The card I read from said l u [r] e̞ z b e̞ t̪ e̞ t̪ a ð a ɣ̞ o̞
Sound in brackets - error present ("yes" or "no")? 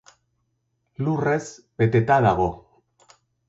no